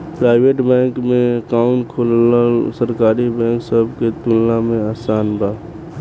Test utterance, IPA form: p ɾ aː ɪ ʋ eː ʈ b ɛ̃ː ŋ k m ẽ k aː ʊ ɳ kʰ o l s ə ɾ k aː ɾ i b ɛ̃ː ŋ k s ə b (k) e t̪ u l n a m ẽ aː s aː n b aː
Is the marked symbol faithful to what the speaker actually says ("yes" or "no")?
yes